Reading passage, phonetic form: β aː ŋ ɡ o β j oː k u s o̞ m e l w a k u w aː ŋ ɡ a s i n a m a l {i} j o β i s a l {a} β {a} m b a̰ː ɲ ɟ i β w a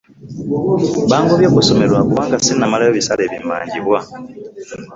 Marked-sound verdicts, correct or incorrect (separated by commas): incorrect, incorrect, incorrect